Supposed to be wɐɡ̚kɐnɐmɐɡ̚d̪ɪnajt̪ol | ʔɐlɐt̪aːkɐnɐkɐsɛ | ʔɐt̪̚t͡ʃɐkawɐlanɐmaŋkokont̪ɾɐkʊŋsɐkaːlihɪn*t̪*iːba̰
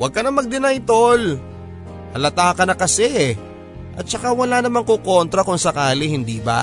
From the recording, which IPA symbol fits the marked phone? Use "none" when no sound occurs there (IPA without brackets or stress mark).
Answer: d̪